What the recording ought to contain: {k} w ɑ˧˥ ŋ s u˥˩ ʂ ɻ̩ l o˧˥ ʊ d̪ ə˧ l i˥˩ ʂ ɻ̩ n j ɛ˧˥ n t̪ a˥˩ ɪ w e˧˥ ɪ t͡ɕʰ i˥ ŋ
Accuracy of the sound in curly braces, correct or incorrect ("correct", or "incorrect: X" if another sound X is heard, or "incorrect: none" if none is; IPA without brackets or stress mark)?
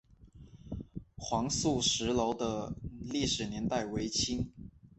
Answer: incorrect: x